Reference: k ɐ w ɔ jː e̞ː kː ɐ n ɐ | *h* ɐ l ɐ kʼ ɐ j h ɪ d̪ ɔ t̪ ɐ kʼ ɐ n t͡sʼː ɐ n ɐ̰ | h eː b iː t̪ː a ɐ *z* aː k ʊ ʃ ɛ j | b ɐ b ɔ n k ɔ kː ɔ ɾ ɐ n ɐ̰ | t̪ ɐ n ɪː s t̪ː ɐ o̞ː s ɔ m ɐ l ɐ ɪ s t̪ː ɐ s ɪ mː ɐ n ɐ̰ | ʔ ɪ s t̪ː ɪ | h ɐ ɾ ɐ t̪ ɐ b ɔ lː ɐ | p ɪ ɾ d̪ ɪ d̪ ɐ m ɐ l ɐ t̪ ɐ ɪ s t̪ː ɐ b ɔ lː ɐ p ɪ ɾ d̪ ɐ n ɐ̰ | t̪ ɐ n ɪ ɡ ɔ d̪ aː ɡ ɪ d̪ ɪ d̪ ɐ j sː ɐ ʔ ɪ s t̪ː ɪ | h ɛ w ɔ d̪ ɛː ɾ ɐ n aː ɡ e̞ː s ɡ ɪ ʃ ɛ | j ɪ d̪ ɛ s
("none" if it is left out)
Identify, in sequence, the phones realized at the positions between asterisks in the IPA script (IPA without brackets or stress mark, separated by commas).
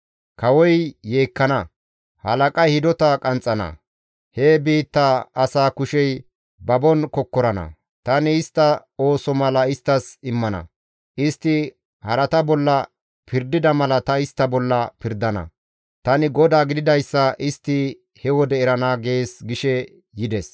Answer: h, s